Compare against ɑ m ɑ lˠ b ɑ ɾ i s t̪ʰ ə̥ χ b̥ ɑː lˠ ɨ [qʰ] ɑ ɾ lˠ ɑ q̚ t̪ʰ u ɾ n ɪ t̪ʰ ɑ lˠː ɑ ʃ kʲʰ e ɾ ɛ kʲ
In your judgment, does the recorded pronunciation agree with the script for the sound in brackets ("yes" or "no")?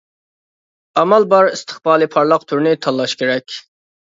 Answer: no